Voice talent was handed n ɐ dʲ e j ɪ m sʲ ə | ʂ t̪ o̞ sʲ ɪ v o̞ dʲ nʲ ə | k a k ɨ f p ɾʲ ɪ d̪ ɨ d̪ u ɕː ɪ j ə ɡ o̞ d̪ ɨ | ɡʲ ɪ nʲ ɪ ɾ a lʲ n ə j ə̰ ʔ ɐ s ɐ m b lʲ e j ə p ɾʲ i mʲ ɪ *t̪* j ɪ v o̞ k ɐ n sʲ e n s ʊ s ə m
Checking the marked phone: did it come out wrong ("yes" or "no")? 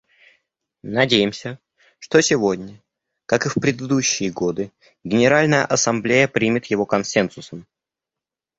no